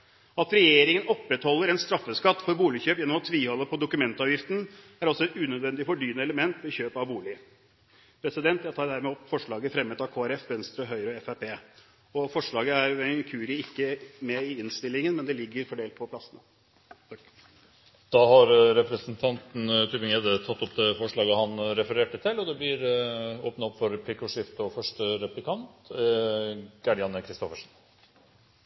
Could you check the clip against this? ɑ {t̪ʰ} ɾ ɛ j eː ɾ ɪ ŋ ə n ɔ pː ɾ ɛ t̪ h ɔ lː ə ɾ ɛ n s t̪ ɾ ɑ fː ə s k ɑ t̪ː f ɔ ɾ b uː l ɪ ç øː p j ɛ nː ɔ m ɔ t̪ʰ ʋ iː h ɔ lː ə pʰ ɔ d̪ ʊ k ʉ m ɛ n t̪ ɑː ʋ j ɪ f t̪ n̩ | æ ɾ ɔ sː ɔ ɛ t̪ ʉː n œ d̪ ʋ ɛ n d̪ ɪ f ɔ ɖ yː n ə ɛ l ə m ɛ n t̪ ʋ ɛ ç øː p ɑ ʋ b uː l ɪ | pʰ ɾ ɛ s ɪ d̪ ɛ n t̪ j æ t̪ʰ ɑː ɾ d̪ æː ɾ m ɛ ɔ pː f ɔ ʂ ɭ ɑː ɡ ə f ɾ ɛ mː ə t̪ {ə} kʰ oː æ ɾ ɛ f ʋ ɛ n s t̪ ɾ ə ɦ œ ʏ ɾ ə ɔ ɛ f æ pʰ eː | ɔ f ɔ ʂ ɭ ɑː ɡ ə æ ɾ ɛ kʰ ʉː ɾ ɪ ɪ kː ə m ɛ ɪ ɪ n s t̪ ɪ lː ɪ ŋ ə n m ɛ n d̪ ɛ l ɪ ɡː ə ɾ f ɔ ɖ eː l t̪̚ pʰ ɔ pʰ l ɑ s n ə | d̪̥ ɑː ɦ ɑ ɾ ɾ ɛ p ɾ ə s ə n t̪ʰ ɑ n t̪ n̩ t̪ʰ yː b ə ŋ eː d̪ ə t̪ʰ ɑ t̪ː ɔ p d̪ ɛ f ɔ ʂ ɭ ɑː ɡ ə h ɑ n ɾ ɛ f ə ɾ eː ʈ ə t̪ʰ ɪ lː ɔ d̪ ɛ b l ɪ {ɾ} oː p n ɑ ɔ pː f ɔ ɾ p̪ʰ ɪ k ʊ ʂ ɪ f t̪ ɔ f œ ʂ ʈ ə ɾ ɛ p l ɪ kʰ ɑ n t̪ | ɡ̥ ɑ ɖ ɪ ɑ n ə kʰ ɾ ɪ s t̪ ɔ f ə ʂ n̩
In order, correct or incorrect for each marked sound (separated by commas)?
incorrect, incorrect, correct